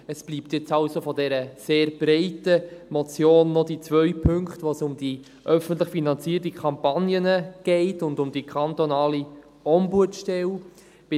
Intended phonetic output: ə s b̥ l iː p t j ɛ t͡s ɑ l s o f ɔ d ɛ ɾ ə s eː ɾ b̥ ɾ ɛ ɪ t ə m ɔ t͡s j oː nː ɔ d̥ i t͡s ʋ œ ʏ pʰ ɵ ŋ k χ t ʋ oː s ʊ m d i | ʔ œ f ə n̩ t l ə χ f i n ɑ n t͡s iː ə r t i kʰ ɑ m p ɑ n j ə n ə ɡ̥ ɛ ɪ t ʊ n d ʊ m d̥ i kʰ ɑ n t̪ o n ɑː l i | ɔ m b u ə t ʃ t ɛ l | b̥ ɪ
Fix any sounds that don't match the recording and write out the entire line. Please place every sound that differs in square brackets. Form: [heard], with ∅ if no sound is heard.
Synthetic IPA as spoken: ə s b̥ l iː p t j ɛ t͡s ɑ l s o f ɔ d ɛ ɾ ə s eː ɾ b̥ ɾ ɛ ɪ t ə m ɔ t͡s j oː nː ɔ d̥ i t͡s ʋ œ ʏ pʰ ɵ ŋ k χ t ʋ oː s ʊ m d i | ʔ œ f ə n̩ t l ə χ f i n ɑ n t͡s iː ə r t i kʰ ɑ m p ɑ n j ə n ə ɡ̥ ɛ ɪ t ʊ n d ʊ m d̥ i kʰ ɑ n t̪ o n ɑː l i | ɔ m b u ə t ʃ t ɛ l | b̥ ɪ